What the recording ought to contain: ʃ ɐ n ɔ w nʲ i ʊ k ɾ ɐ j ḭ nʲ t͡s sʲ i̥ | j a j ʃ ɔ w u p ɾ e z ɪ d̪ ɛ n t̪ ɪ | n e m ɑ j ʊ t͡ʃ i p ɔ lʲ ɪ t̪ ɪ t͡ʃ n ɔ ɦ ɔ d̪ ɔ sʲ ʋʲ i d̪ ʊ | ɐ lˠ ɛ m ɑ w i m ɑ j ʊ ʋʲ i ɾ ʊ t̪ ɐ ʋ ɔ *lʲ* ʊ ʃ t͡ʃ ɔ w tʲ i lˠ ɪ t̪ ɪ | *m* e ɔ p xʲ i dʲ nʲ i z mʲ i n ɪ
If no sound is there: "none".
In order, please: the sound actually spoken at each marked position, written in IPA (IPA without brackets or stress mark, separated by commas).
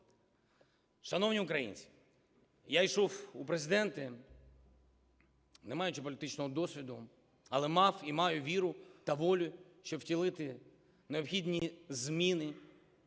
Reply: lʲ, n